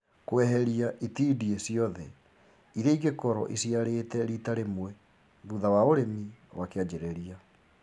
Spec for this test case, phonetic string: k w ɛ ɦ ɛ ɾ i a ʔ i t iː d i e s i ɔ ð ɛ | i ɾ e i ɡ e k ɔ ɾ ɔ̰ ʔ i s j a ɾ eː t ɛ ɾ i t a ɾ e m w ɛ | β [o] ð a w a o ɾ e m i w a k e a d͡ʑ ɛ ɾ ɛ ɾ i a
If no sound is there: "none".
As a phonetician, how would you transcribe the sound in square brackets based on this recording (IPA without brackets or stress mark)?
u